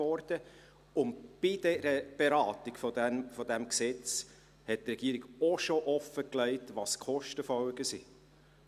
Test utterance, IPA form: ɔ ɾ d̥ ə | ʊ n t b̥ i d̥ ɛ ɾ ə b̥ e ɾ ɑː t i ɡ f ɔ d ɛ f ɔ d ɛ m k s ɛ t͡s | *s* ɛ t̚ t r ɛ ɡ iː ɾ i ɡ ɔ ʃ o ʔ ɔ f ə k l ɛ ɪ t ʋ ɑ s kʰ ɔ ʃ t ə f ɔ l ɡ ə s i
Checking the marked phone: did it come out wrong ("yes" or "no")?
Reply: yes